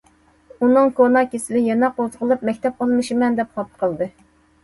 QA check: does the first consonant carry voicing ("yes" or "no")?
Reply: yes